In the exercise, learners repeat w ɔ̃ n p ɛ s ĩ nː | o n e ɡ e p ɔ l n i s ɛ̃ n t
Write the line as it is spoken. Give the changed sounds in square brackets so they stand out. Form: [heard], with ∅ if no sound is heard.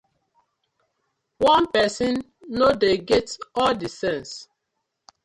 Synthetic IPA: w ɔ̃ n p ɛ s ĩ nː | o [d] e ɡ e [t] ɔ l [d] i s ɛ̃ n [s]

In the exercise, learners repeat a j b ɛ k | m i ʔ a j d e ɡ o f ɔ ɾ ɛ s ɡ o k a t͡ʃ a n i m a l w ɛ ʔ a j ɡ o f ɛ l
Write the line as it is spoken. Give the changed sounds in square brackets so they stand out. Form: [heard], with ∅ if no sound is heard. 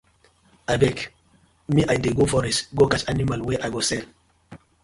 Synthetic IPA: a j b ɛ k | m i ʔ a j d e ɡ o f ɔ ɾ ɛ s ɡ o k a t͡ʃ a n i m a l w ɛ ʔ a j ɡ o [s] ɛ l

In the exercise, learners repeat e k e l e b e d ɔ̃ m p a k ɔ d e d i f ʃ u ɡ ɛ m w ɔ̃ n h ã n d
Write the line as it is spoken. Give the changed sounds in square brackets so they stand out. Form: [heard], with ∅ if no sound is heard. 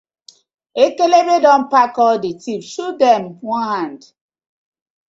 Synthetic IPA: e k e l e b e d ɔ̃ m p a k ɔ d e [t] i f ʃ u [d] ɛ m w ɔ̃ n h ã n d

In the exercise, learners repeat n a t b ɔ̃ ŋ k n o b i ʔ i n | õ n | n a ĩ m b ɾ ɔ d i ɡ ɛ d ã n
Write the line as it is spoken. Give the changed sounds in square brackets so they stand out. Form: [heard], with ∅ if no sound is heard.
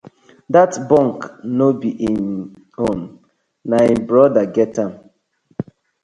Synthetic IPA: [d] a t b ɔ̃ ŋ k n o b i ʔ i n | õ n | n a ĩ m b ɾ ɔ d [a] ɡ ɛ [t] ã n

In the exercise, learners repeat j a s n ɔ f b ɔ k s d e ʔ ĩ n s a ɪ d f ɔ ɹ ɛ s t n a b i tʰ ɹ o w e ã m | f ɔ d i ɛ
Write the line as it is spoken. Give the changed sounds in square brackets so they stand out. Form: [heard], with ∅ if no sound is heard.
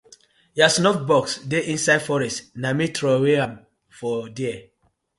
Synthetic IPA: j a s n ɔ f b ɔ k s d e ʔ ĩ n s a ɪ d f ɔ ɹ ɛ s t n a [m] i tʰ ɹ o w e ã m | f ɔ d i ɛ

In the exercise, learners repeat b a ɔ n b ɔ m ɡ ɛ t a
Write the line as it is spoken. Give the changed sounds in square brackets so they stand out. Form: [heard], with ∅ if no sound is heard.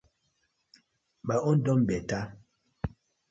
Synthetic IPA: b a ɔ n [d] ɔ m [b] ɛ t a

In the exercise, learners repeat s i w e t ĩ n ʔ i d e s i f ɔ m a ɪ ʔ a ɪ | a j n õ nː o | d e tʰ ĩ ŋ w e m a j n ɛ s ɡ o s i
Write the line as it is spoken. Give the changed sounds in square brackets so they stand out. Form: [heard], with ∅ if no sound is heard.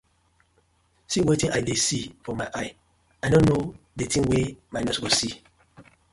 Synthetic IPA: s i w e t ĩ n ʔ [a] d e s i f ɔ m a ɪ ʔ a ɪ | a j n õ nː o | d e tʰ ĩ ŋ w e m a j n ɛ s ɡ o s i

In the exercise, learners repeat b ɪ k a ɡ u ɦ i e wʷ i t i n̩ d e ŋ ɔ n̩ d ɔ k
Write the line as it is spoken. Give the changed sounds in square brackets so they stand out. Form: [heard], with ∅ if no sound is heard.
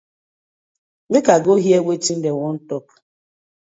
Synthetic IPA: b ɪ k a ɡ [o] ɦ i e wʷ [e] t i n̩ d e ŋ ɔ n̩ [t] ɔ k

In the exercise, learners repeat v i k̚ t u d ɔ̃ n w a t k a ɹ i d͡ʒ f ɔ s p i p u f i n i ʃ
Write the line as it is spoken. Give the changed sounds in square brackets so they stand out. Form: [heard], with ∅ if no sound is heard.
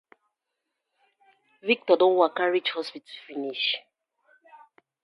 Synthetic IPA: v i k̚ t [ɔ] d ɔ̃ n w a [∅] k a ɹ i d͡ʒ [h] ɔ s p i [t] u f i n i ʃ

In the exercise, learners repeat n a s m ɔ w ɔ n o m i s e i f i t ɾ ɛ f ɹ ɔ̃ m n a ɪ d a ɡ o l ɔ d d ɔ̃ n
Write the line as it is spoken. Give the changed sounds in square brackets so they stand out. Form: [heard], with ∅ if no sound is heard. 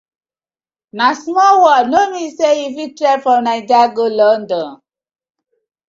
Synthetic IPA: n a s m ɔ w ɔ n o m i s e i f i t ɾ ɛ f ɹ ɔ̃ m n a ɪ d a ɡ o l ɔ [n] d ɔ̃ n

